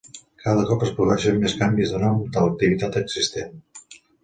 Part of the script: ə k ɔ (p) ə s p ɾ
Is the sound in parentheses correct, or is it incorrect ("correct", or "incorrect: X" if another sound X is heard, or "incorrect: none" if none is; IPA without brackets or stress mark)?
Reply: correct